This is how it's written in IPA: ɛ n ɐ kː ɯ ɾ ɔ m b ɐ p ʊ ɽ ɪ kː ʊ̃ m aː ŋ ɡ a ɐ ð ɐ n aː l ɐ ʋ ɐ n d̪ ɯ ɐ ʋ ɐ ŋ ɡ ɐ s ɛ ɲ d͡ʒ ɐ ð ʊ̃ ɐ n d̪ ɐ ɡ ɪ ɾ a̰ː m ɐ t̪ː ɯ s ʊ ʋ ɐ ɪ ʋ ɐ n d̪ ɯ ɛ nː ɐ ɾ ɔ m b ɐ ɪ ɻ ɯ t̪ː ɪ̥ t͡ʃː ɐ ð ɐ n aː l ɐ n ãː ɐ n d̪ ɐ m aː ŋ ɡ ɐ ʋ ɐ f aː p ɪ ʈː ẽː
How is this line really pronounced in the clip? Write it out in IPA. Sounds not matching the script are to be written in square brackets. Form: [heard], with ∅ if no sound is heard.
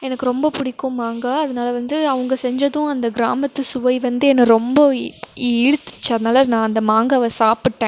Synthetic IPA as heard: ɛ n ɐ kː ɯ ɾ ɔ m b ɐ p ʊ ɽ ɪ kː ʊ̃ m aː ŋ ɡ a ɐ ð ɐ n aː l ɐ ʋ ɐ n d̪ ɯ ɐ ʋ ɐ ŋ ɡ ɐ s ɛ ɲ d͡ʒ ɐ ð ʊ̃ ɐ n d̪ ɐ ɡ ɪ ɾ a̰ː m ɐ t̪ː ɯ s ʊ ʋ ɐ ɪ ʋ ɐ n d̪ ɯ ɛ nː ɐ ɾ ɔ m b ɐ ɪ ɻ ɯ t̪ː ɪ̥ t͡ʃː ɐ ð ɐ n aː l ɐ n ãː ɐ n d̪ ɐ m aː ŋ ɡ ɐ ʋ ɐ [s] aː p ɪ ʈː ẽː